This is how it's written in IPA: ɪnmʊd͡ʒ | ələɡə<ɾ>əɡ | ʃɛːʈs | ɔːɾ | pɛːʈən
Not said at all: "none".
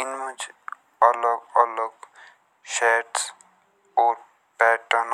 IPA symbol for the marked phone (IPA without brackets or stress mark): l